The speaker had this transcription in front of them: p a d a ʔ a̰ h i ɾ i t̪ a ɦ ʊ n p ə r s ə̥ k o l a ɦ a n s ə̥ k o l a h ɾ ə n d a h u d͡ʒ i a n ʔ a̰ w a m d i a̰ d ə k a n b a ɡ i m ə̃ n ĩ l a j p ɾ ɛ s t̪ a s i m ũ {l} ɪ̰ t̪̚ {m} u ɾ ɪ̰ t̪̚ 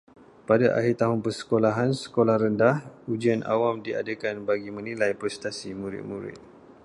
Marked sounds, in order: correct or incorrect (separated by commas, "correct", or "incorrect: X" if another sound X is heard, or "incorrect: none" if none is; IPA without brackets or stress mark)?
incorrect: ɾ, correct